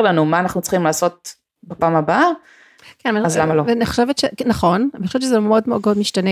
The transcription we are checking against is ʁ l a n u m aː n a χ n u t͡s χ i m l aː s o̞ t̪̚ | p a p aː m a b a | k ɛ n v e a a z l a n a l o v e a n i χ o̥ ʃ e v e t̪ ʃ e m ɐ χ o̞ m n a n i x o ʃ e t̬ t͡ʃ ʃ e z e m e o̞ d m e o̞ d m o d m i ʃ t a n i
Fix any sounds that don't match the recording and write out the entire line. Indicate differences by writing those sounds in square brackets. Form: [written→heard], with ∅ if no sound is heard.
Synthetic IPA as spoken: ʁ l a n u m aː n a χ n u t͡s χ i m l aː s o̞ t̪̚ | [p→b] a p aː m a b a | k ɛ n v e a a z l a [n→m] a l o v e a n i χ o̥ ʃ e v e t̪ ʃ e [m→n] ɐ χ o̞ [m→∅] n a n i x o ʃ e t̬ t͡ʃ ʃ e z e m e o̞ d m e o̞ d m o d m i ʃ t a n [i→e]